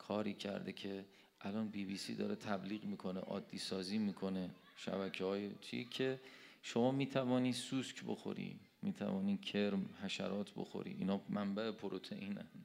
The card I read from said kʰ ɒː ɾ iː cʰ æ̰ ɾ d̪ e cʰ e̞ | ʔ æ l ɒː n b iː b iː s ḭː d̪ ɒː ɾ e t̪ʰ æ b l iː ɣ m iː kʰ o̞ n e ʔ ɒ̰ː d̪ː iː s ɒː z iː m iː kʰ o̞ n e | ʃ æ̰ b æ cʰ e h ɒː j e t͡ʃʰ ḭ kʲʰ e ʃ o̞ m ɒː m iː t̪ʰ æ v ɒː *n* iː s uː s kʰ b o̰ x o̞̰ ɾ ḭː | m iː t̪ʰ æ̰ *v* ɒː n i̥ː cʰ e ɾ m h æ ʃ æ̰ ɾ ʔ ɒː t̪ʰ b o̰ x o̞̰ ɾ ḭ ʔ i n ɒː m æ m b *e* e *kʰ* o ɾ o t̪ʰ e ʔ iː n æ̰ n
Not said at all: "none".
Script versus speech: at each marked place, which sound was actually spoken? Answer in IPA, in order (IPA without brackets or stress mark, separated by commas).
n, v, æ, pʰ